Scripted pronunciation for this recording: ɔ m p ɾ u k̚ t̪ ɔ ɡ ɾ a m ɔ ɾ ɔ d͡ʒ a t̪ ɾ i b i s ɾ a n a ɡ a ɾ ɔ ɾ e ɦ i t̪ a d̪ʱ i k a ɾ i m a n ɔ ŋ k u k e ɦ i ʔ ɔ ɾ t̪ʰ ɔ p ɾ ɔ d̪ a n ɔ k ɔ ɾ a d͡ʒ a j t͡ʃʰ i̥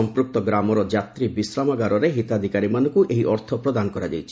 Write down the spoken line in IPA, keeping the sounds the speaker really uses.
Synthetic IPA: ɔ m p ɾ u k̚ t̪ ɔ ɡ ɾ a m ɔ ɾ ɔ d͡ʒ a t̪ ɾ i b i s ɾ a m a ɡ a ɾ ɔ ɾ e ɦ i t̪ a d̪ʱ i k a ɾ i m a n ɔ ŋ k u ʔ e ɦ i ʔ ɔ ɾ t̪ʰ ɔ p ɾ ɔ d̪ a n ɔ k ɔ ɾ a d͡ʒ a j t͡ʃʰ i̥